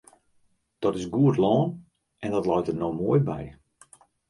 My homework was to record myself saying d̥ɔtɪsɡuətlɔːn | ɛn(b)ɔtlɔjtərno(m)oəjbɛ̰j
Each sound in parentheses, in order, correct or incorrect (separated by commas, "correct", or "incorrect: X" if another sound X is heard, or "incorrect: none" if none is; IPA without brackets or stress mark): incorrect: d, correct